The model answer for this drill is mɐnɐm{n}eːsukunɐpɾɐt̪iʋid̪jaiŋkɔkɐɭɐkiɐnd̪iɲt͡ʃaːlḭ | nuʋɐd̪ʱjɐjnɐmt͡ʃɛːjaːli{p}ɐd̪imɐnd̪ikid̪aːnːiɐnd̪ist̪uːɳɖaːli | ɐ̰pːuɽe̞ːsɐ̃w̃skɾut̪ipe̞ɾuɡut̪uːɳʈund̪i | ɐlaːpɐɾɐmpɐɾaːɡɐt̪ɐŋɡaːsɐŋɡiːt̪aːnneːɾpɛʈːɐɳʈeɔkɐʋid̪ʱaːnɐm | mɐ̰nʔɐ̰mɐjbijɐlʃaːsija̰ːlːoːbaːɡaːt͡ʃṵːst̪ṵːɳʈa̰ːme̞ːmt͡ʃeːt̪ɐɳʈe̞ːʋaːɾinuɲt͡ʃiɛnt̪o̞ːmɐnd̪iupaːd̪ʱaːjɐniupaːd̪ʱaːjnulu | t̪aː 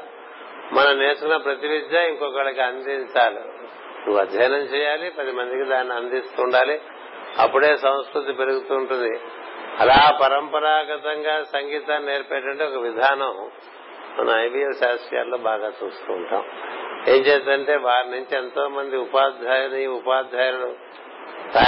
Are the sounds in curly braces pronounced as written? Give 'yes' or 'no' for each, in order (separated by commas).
yes, yes